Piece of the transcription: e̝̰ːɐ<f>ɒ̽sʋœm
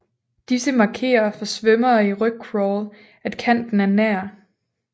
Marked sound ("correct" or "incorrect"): correct